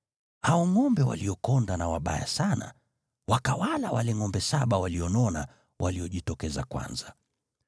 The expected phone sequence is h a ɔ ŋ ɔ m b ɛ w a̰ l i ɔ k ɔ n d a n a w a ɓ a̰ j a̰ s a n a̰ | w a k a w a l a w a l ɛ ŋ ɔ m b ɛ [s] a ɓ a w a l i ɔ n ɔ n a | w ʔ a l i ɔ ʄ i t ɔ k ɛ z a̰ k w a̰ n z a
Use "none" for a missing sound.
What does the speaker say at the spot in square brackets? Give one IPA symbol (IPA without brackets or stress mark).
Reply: s